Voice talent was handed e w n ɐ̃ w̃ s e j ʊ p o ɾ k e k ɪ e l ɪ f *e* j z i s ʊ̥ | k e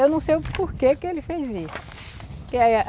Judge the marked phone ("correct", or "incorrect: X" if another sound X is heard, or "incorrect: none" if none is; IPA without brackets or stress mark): correct